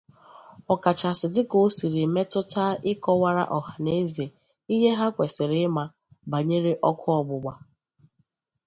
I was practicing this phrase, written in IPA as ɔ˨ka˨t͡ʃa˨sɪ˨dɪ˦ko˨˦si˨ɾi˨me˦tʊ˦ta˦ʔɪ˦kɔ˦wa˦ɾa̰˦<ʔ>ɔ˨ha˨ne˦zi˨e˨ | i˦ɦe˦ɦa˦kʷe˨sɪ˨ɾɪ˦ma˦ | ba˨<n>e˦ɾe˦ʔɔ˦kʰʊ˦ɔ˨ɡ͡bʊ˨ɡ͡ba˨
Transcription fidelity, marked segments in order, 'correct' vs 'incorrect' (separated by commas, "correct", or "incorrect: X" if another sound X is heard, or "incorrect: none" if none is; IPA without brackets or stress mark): correct, incorrect: ɲ